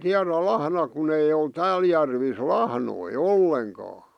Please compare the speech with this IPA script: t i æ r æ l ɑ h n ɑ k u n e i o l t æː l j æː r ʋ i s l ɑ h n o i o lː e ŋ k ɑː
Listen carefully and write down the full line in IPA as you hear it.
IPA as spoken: t i æ r æ l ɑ h n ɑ k u n e i o l t æː l j æ r ʋ i s l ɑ h n o i o lː e ŋ k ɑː